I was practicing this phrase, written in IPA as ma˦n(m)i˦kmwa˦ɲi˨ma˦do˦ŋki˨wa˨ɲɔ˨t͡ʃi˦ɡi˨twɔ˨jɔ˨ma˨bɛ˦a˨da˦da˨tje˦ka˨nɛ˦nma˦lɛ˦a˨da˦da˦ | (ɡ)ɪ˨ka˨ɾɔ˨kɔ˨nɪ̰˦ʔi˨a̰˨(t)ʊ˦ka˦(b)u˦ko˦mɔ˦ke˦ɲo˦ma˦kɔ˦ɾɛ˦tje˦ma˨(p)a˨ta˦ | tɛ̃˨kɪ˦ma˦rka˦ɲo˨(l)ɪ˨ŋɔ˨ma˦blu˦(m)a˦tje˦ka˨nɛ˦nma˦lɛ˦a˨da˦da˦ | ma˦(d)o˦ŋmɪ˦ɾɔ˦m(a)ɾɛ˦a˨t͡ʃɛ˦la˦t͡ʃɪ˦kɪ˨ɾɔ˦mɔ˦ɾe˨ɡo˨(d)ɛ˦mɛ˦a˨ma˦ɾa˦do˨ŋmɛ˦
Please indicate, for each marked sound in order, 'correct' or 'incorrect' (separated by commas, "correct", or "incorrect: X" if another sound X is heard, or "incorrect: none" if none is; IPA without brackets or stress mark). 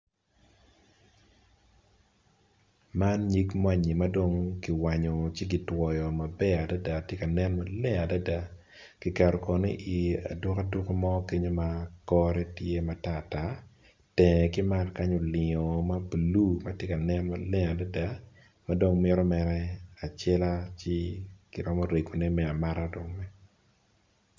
incorrect: ɲ, incorrect: k, incorrect: d, incorrect: d, incorrect: t, correct, correct, correct, incorrect: ɛ, incorrect: n